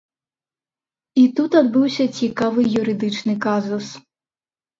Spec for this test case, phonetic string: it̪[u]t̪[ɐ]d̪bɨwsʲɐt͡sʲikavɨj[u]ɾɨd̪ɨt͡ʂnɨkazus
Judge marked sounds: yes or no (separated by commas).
yes, no, yes